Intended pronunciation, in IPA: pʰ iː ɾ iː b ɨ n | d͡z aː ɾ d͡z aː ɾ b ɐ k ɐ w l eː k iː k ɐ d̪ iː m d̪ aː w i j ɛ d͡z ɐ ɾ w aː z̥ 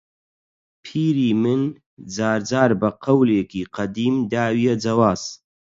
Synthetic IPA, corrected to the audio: pʰ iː ɾ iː m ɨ n | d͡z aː ɾ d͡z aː ɾ b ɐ q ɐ w l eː k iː q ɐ d̪ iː m d̪ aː w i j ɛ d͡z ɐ w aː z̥